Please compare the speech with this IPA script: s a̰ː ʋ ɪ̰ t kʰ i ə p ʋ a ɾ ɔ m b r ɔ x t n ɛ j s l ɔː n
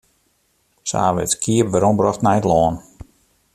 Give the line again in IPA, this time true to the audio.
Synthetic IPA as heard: s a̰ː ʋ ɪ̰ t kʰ i ə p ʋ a ɾ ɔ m b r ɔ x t n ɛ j t l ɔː n